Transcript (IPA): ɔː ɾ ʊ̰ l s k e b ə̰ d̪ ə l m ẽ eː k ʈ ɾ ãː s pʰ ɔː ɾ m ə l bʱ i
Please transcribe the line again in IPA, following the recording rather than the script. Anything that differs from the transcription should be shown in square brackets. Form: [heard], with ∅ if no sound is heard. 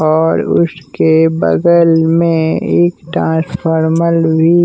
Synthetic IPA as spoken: ɔː ɾ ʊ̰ [∅] s k e b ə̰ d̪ ə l m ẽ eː k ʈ ɾ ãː s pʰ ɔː ɾ m ə l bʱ i